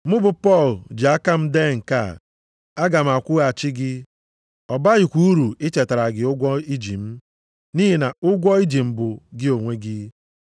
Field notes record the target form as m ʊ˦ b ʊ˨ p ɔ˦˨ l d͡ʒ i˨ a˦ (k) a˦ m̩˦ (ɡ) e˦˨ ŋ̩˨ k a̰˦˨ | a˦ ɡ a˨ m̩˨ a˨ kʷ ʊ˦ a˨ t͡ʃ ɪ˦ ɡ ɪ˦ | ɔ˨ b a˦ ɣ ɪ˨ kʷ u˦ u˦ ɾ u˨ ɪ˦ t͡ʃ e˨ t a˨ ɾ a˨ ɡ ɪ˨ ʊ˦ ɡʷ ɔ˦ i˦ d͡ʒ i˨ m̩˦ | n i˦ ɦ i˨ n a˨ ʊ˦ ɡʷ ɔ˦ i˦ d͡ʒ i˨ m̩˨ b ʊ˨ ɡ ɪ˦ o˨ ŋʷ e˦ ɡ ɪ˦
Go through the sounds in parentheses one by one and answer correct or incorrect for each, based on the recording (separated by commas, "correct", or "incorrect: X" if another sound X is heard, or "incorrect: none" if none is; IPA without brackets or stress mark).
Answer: correct, incorrect: d